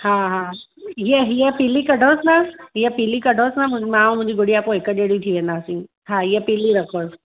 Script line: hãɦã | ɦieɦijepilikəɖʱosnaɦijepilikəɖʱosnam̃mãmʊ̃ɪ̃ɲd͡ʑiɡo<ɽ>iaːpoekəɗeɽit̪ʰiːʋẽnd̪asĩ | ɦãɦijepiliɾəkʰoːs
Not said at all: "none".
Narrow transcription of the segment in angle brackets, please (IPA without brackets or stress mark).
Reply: ɽ